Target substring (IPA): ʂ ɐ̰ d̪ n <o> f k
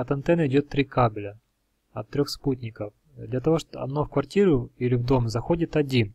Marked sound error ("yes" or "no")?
no